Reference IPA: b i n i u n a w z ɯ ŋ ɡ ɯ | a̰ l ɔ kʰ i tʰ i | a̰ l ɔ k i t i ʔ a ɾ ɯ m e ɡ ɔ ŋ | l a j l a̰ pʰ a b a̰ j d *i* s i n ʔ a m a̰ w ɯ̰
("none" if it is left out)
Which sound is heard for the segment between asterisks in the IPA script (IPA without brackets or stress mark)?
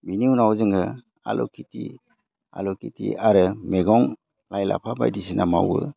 i